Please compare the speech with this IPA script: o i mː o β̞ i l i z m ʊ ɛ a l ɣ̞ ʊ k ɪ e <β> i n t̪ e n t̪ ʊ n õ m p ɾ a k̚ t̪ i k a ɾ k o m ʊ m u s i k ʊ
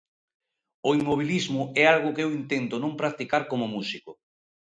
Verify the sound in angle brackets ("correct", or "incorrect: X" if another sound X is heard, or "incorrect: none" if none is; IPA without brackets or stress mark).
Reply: incorrect: w